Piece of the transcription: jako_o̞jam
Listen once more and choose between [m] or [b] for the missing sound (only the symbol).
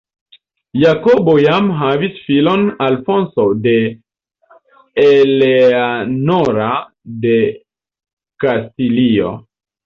b